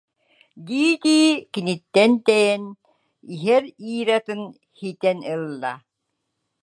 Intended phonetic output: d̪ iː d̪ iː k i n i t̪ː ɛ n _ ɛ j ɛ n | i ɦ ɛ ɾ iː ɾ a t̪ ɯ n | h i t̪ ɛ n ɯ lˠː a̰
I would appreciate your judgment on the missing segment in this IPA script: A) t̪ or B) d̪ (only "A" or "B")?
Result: A